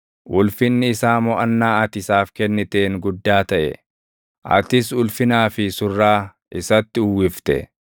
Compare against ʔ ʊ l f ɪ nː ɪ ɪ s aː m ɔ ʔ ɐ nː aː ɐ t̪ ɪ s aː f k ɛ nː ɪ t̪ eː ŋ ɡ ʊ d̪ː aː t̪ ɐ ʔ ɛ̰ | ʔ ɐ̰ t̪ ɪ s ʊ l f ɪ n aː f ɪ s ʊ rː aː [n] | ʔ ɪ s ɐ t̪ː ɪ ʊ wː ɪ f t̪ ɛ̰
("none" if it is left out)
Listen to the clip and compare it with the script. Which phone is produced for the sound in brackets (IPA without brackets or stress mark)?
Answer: none